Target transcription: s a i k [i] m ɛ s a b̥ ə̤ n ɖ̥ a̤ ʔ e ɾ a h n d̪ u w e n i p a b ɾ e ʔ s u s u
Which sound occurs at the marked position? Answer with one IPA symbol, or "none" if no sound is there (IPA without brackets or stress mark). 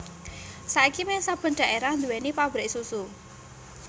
i